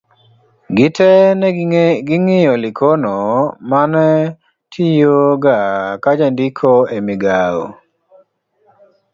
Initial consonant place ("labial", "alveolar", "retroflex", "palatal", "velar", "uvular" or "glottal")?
velar